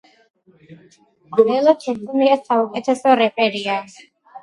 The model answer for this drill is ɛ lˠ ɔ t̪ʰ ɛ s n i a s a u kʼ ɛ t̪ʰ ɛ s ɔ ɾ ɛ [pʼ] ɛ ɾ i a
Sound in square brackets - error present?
no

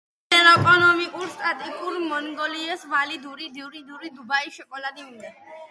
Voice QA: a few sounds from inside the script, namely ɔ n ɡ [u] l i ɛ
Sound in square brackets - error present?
yes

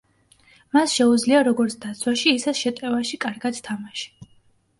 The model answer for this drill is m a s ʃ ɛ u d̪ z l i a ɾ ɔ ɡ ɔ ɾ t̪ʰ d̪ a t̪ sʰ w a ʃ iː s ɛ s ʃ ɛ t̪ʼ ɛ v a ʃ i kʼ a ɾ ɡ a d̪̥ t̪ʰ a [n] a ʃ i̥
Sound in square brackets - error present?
yes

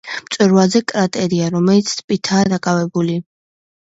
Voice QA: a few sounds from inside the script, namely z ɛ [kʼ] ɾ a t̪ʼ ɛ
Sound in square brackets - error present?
no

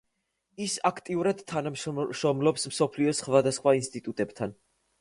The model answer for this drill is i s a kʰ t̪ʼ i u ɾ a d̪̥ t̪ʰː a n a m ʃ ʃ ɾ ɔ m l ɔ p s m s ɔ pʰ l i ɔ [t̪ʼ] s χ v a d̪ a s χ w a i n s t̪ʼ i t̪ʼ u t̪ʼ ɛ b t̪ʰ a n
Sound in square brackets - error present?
yes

